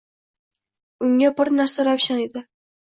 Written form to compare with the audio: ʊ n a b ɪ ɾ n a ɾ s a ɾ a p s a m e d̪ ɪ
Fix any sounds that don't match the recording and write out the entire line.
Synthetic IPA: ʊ ŋ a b ɪ ɾ n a ɾ s a ɾ a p ʃ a n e d̪ ɪ